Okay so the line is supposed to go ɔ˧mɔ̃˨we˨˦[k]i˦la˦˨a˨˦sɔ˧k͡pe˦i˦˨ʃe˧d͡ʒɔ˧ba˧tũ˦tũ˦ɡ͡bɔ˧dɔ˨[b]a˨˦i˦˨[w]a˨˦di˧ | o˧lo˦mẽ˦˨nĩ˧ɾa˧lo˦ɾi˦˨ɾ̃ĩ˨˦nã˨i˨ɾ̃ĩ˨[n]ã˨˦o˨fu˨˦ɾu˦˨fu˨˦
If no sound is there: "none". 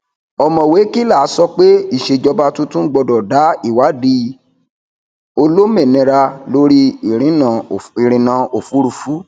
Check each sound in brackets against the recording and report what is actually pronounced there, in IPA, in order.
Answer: k, d, w, n

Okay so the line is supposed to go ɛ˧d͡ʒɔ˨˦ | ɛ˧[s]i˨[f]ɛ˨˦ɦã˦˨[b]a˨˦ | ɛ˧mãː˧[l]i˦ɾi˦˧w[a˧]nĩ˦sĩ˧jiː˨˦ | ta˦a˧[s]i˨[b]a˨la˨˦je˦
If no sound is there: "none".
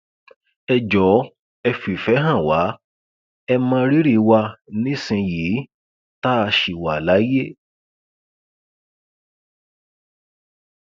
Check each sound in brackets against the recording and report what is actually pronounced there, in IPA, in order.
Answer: f, f, w, ɾ, a˧, ʃ, w

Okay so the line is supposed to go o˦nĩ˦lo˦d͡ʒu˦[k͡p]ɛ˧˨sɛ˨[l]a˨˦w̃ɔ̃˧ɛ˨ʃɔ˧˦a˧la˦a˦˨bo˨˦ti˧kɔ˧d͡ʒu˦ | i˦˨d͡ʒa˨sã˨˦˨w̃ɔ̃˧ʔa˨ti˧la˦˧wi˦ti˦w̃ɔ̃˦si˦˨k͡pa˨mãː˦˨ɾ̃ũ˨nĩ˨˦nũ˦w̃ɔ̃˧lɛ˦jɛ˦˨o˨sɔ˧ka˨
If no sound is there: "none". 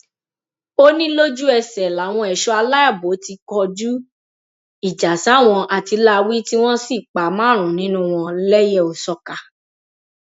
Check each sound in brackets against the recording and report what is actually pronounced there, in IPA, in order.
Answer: none, l

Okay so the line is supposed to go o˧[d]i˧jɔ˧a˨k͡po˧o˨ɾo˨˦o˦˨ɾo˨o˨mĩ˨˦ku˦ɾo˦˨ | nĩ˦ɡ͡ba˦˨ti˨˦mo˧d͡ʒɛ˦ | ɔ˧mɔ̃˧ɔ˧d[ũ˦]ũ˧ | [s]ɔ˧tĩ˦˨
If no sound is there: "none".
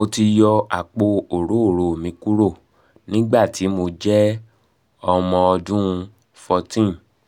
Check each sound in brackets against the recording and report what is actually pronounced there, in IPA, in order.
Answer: t, ũ˦, f

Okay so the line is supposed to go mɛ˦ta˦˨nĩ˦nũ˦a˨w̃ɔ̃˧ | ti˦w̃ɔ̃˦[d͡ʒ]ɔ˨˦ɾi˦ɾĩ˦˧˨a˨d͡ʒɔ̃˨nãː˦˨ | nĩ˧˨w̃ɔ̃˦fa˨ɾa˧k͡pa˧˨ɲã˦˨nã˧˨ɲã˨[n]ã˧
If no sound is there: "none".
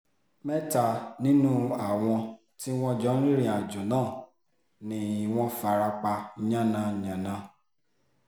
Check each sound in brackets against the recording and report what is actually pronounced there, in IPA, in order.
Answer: d͡ʒ, n

